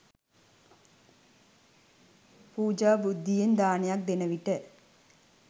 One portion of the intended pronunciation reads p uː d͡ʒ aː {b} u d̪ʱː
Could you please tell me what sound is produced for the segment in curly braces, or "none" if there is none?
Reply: b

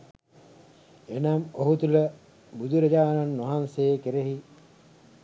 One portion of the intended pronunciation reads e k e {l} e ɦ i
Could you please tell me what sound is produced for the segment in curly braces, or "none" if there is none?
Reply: ɾ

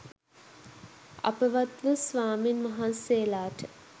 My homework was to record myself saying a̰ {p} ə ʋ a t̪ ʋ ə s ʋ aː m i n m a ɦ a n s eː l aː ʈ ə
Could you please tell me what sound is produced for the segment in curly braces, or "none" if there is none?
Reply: p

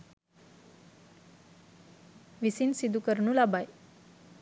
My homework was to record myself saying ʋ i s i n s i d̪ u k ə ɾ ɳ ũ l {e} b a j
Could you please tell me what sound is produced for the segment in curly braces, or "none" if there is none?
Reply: a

